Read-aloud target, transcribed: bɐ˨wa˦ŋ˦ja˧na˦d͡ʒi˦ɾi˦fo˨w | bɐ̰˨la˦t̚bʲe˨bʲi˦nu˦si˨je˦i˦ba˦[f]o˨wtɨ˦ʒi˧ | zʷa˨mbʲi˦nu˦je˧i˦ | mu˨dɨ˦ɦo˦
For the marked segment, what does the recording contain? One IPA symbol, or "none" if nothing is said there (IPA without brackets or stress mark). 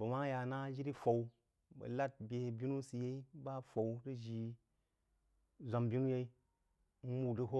f